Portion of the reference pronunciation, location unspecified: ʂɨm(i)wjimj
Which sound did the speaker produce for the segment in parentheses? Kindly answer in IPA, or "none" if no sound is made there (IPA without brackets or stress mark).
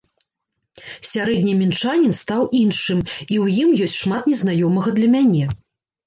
i